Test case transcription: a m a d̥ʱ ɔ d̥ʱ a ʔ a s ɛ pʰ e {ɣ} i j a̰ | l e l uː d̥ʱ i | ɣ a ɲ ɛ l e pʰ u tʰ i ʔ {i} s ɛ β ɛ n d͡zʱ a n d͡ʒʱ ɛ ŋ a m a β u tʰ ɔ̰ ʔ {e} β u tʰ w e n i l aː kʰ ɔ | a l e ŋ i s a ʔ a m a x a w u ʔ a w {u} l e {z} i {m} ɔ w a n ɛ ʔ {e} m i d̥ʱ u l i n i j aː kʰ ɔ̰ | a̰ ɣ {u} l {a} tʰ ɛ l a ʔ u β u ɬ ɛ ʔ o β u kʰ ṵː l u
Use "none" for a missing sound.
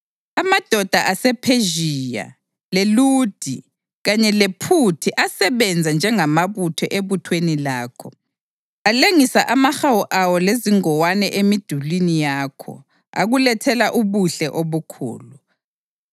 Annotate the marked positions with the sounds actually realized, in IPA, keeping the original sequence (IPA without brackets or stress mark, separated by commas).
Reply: ʒ, a, e, ɔ, z, ŋ, e, u, ɛ